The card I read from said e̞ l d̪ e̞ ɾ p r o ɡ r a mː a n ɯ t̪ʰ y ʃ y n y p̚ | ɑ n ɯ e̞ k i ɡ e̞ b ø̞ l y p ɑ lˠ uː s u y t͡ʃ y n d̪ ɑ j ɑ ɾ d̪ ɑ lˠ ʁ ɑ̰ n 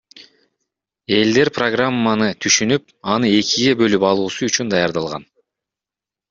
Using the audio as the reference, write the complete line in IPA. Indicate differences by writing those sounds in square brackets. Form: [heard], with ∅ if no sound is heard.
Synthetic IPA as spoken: e̞ l d̪ e̞ ɾ p r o ɡ r a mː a n ɯ t̪ʰ y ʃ y n y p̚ | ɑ n ɯ e̞ k i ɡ e̞ b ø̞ l y p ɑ lˠ uː s u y t͡ʃ y n d̪ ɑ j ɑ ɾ d̪ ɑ lˠ ʁ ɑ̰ n